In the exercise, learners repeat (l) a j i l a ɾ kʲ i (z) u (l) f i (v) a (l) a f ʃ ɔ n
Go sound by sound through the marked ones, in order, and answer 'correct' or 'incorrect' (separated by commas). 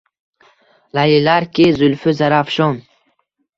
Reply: correct, correct, correct, incorrect, incorrect